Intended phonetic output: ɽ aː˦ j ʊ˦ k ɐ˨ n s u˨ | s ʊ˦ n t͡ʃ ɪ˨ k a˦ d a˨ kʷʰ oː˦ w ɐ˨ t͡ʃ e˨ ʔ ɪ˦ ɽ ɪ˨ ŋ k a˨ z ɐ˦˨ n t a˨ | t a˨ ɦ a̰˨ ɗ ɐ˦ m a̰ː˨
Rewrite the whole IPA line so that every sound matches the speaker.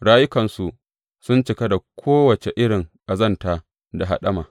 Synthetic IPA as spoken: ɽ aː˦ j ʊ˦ k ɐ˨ n s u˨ | s ʊ˦ n t͡ʃ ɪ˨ k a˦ d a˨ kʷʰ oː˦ w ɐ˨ t͡ʃ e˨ ʔ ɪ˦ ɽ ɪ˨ ŋ ʔ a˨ z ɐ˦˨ n t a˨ | d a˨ ɦ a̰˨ ɗ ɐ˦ m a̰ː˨